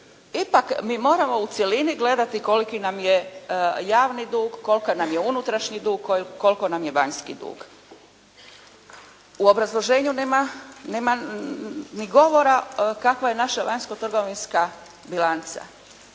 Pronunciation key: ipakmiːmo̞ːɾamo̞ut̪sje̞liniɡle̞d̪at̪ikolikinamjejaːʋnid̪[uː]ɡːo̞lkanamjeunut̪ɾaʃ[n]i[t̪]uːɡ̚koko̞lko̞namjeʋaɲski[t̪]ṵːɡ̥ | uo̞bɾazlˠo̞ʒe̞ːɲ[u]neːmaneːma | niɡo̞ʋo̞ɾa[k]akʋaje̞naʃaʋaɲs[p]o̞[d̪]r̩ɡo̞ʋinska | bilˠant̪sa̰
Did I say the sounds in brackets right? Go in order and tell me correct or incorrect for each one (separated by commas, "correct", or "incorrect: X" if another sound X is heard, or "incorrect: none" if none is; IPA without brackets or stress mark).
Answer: correct, incorrect: ɲ, incorrect: d̪, incorrect: d̪, correct, correct, incorrect: k, incorrect: t̪